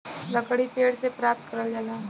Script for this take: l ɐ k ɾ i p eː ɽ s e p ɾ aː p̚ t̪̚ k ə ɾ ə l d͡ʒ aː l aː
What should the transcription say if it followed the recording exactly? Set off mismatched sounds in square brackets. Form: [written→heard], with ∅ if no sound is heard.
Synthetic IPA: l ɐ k [ɾ→ɽ] i p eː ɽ s e p ɾ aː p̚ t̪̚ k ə ɾ ə l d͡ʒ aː l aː